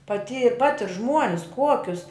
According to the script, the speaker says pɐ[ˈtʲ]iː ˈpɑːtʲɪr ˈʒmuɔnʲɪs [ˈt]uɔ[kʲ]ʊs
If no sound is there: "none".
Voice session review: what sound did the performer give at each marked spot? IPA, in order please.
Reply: tʲ, k, kʲ

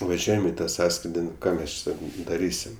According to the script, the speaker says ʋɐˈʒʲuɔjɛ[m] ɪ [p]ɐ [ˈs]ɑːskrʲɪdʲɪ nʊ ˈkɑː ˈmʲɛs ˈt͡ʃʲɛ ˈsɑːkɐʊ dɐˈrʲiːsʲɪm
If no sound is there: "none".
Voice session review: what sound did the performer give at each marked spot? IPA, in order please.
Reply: m, t, s

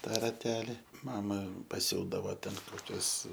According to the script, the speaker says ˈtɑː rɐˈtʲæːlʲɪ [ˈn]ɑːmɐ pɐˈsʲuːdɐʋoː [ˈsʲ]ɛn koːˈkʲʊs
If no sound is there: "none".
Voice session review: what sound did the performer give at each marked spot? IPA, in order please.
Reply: m, tʲ

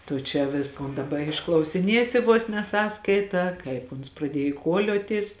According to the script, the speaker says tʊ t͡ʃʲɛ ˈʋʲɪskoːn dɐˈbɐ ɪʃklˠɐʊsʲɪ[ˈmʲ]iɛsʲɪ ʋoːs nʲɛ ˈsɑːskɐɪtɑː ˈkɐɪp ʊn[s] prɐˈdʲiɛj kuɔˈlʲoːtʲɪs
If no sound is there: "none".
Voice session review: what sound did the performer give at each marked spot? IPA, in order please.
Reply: nʲ, s

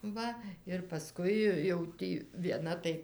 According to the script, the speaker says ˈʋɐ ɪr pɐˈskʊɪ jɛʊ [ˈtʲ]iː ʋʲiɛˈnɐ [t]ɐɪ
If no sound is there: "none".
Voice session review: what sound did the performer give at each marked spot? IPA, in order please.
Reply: tʲ, t

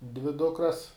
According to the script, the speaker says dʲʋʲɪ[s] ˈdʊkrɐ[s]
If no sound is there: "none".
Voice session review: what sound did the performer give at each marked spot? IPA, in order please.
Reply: none, s

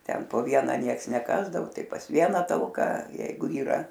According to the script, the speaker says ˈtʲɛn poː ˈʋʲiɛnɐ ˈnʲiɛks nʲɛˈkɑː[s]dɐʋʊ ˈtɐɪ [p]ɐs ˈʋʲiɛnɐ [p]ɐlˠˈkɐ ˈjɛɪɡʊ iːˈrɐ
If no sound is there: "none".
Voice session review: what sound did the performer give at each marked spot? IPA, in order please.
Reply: z, p, t

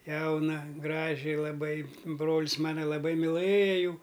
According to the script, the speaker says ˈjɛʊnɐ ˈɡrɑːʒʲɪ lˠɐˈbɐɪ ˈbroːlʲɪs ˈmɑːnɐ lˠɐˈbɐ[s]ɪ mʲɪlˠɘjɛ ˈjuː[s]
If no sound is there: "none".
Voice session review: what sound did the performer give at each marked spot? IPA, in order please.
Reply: none, none

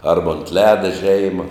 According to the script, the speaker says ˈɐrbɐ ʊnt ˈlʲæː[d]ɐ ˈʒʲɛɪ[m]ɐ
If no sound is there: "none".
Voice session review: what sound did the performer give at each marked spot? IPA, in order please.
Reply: d, m

